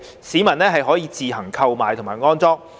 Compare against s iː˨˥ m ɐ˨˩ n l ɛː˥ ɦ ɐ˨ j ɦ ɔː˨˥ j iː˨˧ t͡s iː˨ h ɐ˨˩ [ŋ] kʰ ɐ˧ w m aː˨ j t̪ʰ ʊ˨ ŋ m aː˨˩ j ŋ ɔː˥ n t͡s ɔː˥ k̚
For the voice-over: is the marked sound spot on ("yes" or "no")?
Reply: yes